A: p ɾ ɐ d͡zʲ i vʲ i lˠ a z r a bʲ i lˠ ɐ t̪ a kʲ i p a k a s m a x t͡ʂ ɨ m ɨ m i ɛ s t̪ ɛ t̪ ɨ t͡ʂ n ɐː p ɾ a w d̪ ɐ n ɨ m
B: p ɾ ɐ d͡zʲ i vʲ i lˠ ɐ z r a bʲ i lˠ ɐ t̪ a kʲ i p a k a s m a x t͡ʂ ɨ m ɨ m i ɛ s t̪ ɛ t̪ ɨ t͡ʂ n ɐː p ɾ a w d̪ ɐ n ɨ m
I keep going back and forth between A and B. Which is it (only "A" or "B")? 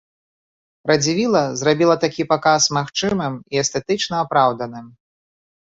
B